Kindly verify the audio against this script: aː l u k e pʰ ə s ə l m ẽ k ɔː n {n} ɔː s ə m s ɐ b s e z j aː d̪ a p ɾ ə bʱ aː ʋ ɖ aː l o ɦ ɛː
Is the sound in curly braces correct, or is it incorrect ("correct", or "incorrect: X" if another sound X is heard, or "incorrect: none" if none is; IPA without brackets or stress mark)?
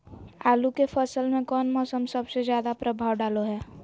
incorrect: m